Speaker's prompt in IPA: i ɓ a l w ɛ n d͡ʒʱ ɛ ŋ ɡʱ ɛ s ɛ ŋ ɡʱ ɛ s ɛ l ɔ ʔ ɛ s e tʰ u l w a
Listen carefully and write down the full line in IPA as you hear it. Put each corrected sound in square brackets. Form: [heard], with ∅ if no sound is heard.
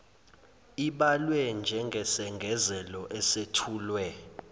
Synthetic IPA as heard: i ɓ a l w ɛ n d͡ʒʱ ɛ ŋ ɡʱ ɛ s ɛ ŋ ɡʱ ɛ [z] ɛ l ɔ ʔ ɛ s e tʰ [uː] l w [ɛ]